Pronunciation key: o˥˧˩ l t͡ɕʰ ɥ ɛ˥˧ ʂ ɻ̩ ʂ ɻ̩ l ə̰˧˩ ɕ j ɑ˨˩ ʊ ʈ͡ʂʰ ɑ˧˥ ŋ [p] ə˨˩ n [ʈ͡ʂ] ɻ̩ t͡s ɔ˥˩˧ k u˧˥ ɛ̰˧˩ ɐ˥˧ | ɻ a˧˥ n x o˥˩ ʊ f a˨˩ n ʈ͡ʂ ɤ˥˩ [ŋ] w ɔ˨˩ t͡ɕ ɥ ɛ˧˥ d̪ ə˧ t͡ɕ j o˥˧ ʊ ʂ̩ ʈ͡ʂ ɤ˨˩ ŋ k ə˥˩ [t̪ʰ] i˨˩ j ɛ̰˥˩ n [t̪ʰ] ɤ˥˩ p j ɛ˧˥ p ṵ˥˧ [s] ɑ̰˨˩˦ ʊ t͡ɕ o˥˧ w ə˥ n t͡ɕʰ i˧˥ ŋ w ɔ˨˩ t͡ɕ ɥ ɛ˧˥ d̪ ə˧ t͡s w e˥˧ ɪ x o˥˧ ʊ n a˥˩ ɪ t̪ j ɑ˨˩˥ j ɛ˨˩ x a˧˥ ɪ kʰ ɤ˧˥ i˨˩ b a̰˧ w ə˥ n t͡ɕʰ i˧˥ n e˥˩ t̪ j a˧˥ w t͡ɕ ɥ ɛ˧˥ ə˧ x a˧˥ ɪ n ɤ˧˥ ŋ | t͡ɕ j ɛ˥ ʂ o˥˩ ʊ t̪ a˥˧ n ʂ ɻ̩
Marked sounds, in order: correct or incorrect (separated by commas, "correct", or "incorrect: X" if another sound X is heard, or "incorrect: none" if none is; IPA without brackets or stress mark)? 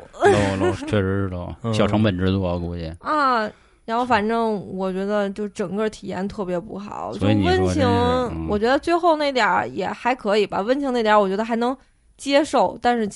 correct, correct, correct, correct, correct, incorrect: x